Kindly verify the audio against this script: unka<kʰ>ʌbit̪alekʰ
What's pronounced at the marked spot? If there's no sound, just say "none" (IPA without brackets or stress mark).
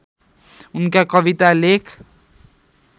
k